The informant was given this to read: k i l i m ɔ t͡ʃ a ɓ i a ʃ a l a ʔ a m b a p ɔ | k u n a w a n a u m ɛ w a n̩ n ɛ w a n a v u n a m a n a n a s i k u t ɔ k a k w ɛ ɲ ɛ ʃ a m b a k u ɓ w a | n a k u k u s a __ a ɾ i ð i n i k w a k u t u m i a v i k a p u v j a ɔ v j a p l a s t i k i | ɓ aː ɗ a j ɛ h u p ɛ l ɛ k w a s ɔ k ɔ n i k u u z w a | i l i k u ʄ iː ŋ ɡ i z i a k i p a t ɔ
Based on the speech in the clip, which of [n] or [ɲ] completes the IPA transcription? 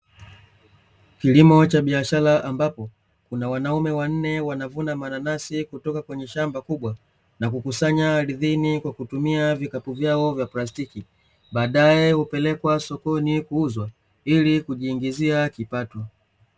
ɲ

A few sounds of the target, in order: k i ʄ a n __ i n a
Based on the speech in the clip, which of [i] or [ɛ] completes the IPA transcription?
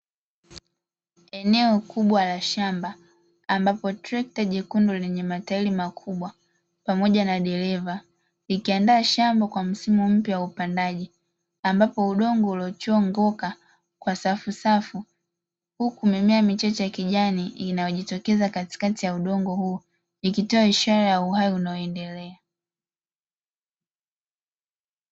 i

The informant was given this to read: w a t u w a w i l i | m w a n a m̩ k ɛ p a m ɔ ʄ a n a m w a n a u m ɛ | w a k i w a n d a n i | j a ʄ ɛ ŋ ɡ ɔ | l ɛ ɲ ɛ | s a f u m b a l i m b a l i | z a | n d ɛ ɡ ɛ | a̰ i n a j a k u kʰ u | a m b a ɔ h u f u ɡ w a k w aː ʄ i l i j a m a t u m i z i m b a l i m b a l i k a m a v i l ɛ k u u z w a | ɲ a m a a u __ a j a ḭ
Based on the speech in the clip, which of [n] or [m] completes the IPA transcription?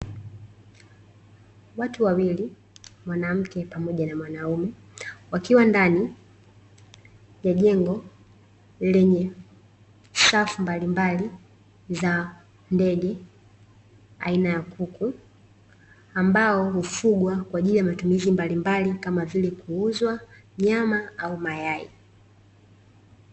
m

